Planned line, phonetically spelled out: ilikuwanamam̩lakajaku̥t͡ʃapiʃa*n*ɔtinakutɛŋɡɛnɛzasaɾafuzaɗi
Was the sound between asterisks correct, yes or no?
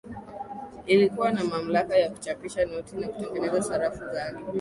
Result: yes